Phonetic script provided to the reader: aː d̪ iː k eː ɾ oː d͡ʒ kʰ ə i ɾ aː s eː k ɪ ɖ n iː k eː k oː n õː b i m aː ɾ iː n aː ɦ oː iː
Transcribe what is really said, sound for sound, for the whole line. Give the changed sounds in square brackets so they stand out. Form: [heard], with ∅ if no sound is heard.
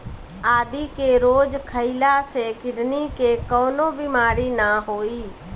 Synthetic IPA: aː d̪ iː k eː ɾ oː d͡ʒ kʰ ə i [l] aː s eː k ɪ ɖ n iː k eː k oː n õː b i m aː ɾ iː n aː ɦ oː iː